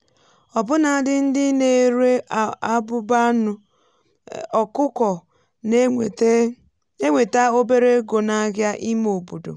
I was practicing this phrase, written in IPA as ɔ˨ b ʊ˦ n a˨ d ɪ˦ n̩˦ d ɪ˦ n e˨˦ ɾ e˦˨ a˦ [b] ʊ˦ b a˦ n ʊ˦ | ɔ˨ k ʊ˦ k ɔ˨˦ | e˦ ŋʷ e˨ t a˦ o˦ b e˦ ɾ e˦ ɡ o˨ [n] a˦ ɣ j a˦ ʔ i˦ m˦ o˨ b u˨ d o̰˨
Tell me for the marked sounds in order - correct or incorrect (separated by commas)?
correct, correct